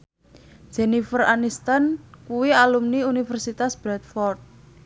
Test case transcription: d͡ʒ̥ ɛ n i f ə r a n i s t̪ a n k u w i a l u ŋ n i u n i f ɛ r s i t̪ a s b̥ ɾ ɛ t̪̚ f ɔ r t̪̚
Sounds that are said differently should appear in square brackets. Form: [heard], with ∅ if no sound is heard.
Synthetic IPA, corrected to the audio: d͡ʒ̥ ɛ n i f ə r a n i s t̪ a n k u w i a l u [m] n i u n i f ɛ r s i t̪ a s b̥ ɾ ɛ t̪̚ f ɔ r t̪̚